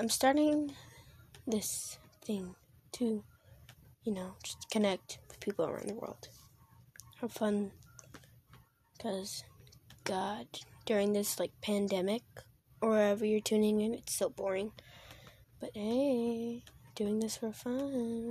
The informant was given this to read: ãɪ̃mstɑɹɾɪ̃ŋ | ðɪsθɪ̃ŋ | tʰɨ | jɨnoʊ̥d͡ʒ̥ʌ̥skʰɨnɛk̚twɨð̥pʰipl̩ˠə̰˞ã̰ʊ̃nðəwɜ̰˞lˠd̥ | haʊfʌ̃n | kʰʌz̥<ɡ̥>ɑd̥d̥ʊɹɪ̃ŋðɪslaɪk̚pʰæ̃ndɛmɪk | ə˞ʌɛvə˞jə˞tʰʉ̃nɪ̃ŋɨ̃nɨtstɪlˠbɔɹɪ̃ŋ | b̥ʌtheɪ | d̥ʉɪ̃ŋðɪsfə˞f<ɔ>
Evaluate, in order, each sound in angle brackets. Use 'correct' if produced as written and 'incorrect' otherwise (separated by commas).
correct, incorrect